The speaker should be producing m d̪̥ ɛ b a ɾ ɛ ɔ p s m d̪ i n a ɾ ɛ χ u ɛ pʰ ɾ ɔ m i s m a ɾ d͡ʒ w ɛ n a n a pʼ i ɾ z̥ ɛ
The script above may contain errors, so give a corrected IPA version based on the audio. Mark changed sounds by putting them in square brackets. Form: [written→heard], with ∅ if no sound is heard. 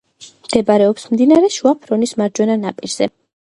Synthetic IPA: m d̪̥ ɛ b a ɾ ɛ ɔ p s m d̪ i n a ɾ ɛ [χ→ʃ] u [ɛ→a] pʰ ɾ ɔ [m→n] i s m a ɾ d͡ʒ w ɛ n a n a pʼ i ɾ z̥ ɛ